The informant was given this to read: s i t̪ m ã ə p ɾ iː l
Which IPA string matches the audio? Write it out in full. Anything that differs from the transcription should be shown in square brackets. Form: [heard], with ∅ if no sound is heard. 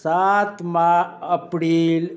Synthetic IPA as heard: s [a] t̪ m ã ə p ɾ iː l